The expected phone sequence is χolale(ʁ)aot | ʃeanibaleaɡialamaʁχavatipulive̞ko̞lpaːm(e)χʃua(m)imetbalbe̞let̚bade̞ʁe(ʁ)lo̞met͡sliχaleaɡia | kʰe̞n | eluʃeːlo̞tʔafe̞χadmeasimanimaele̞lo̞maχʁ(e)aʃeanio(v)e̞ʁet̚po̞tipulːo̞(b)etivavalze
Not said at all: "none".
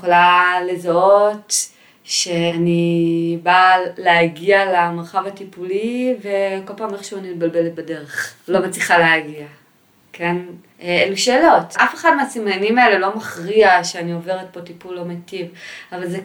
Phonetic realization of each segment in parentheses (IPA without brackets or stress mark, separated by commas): z, e, n, χ, i, v, m